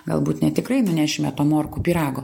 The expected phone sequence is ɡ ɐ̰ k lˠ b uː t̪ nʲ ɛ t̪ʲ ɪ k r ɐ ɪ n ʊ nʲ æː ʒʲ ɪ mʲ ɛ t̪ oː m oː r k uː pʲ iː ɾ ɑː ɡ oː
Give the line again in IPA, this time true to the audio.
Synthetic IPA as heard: ɡ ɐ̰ lˠ b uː t̪ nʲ ɛ t̪ʲ ɪ k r ɐ ɪ n ʊ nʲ æː ʃʲ ɪ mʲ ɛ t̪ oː m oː r k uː pʲ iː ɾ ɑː ɡ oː